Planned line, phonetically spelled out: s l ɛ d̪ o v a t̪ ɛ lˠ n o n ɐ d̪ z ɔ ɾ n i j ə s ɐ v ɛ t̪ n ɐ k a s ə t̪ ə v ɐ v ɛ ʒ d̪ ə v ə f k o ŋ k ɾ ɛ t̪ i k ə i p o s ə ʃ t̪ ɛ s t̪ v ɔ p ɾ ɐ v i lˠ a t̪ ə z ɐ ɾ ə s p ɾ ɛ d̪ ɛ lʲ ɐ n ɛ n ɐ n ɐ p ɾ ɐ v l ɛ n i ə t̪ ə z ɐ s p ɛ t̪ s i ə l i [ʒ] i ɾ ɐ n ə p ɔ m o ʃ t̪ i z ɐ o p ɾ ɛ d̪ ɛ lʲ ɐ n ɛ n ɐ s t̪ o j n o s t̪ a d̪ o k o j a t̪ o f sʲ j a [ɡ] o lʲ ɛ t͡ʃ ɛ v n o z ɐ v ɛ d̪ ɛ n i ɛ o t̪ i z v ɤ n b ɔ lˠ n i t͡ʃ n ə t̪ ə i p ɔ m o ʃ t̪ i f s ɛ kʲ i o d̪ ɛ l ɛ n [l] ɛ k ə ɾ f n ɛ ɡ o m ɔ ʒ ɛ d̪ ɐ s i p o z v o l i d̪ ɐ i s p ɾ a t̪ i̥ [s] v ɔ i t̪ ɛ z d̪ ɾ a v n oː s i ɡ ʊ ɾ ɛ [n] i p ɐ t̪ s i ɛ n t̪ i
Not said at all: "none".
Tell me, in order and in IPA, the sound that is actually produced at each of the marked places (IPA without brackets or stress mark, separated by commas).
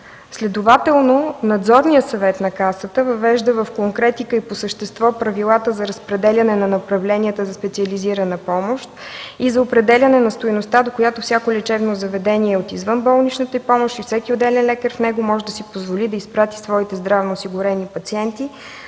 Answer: z, k, l, s, n